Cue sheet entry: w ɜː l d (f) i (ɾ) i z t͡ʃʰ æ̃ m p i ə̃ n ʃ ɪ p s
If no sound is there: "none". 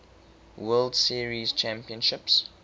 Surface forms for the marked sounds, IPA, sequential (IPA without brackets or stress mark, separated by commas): s, ɹ